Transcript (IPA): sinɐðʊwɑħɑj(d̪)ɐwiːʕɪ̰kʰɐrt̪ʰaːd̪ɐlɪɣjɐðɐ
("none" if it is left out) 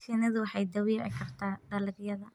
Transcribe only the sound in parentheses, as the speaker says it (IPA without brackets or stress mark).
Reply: d̪